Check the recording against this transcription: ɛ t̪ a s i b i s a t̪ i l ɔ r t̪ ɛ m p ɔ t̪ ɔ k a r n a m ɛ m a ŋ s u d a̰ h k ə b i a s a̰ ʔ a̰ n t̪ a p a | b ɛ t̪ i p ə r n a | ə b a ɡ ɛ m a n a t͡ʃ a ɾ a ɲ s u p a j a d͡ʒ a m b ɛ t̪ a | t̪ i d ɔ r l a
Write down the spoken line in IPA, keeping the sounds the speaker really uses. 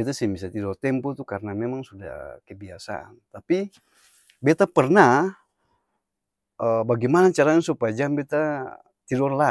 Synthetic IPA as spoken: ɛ t̪ a s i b i s a t̪ i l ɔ r t̪ ɛ m p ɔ t̪ u k a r n a m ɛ m a ŋ s u d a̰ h k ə b i a s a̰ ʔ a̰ n t̪ a p i | b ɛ t̪ a p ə r n a | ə b a ɡ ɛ m a n a t͡ʃ a ɾ a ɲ s u p a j a d͡ʒ a m b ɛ t̪ a | t̪ i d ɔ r l a